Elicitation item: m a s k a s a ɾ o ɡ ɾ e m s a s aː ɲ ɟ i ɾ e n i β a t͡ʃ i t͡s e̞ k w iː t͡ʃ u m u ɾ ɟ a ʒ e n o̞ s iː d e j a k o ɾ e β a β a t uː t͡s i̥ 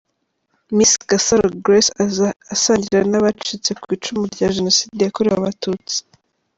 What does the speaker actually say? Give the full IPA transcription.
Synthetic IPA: m i s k a s a ɾ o ɡ ɾ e s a s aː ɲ ɟ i ɾ a n a β a t͡ʃ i t͡s e̞ k w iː t͡ʃ u m u ɾ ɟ a ʒ e n o̞ s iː d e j a k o ɾ e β a β a t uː t͡s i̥